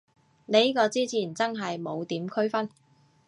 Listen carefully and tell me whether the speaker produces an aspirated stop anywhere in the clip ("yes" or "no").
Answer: yes